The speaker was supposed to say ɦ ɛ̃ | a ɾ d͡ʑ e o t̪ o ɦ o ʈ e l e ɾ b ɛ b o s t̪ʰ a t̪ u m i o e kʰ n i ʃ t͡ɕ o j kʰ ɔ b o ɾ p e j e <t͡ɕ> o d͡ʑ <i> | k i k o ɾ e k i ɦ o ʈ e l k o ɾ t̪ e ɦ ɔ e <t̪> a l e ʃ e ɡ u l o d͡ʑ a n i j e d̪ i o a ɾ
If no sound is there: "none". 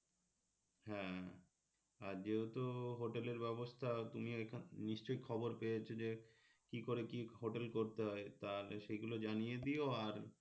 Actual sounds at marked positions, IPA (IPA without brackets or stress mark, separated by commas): t͡ɕʰ, e, t̪